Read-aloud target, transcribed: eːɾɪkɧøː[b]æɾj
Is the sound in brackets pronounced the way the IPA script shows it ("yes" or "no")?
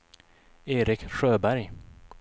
yes